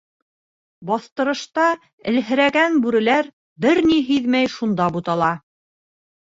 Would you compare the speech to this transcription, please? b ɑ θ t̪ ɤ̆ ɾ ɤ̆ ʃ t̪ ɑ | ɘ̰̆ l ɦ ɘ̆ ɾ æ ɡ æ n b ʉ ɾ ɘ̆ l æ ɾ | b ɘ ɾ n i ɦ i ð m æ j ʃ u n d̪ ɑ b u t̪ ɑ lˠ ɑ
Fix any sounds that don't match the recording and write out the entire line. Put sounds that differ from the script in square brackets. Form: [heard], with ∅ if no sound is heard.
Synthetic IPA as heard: b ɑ θ t̪ ɤ̆ ɾ ɤ̆ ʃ t̪ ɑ | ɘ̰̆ l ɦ ɘ̆ ɾ æ ɡ æ n b ʉ ɾ ɘ̆ l æ ɾ | b ɘ ɾ n i ɦ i ð m æ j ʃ u n d̪ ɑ b u t̪ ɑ lˠ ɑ